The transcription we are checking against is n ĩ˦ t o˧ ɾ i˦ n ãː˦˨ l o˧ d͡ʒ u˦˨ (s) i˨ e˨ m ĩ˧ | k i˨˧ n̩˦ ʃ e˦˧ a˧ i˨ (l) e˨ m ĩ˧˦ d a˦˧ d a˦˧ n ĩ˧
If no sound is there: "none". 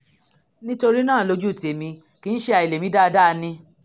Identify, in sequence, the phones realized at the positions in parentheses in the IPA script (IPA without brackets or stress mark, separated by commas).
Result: t, l